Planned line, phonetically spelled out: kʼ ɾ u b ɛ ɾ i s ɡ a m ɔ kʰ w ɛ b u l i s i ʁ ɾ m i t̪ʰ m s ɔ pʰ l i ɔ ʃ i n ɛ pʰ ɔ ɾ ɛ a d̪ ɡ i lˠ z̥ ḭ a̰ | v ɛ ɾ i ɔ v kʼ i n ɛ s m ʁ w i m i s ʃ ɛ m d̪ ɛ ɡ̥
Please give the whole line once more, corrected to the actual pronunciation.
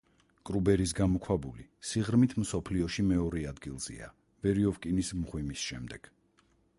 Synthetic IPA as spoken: kʼ ɾ u b ɛ ɾ i s ɡ a m ɔ kʰ w a b u l i s i ʁ ɾ m i t̪ʰ m s ɔ pʰ l i ɔ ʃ i m ɛ ɔ ɾ ɛ a d̪ ɡ i lˠ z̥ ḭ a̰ | v ɛ ɾ i ɔ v kʼ i n i s m ʁ w i m i s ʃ ɛ m d̪ ɛ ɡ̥